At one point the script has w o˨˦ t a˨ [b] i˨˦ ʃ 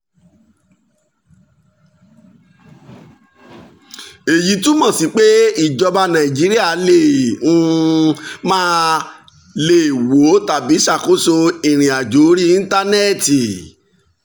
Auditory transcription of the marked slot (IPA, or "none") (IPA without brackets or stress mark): b